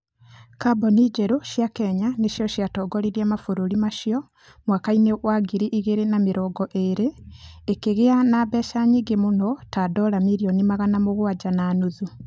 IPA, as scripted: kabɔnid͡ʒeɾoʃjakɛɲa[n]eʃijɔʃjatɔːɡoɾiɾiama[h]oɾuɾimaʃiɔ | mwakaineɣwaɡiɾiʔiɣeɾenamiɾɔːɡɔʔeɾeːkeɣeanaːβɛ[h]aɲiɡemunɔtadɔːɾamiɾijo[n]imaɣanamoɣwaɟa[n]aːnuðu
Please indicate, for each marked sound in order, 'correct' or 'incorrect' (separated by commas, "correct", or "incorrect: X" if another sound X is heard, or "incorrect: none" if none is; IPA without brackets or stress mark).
correct, incorrect: f, incorrect: ʃ, correct, correct